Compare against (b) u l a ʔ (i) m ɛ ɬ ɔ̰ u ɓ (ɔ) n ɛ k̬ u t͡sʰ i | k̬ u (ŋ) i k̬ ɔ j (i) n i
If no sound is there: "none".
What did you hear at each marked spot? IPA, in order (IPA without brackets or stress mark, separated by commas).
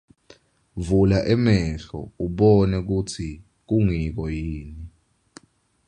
v, ɛ, ɔ, ŋ, iː